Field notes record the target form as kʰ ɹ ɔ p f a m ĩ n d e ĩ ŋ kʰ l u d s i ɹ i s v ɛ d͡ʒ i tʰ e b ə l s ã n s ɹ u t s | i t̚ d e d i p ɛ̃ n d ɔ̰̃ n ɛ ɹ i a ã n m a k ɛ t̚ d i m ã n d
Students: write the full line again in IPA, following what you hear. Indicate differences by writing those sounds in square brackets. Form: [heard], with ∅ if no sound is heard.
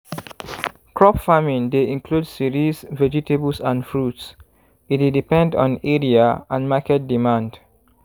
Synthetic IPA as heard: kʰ ɹ ɔ p f a m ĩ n d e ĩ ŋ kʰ l u d s i ɹ i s v ɛ d͡ʒ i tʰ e b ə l s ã n [f] ɹ u t s | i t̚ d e d i p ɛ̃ n d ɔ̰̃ n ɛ ɹ i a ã n m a k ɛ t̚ d i m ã n d